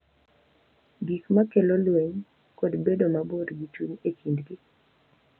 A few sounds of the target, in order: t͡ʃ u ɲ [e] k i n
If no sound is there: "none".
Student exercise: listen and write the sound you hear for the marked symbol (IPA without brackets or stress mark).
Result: e